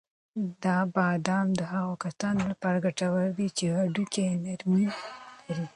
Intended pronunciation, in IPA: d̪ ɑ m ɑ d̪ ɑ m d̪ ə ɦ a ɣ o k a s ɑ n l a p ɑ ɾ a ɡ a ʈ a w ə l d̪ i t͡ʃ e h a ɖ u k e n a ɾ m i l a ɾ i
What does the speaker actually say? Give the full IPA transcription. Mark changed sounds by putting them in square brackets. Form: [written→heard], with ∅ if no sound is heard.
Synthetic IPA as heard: d̪ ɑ [m→b] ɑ d̪ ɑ m d̪ ə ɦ a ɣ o k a s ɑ n l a p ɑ ɾ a ɡ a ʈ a w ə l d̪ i t͡ʃ e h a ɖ u k e n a ɾ m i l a ɾ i